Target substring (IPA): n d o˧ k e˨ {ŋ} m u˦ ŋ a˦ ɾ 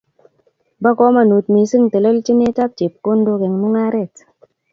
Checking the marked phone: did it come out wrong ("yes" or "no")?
no